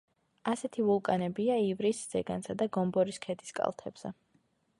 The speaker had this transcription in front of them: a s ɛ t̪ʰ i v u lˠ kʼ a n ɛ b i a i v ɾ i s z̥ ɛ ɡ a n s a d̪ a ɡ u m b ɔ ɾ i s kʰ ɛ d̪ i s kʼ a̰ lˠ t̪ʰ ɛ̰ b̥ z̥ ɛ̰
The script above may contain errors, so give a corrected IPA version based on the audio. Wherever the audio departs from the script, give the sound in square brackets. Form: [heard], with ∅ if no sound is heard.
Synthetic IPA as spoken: a s ɛ t̪ʰ i v u lˠ kʼ a n ɛ b i a i v ɾ i s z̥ ɛ ɡ a n s a d̪ a ɡ [ɔ] m b ɔ ɾ i s kʰ ɛ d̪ i s kʼ a̰ lˠ t̪ʰ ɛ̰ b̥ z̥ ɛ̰